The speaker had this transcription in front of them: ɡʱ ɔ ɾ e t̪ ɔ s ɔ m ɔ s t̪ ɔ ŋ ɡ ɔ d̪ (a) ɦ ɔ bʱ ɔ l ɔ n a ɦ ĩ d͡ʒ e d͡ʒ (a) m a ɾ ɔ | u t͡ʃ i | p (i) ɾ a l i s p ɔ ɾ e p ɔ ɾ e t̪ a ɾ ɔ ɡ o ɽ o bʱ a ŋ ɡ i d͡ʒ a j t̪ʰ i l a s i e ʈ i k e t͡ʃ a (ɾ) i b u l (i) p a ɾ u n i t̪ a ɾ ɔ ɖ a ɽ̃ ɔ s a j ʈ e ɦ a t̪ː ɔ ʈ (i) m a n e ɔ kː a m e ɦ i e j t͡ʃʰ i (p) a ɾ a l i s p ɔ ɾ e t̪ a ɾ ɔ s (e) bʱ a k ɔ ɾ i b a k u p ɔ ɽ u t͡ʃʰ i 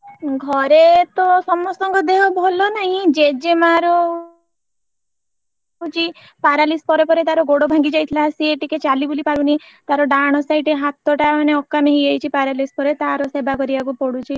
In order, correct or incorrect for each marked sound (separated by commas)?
incorrect, incorrect, incorrect, incorrect, correct, incorrect, correct, correct